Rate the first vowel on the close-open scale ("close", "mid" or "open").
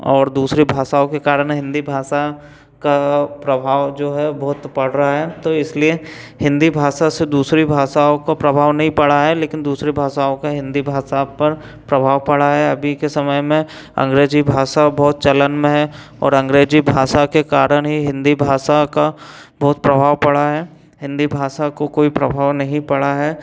mid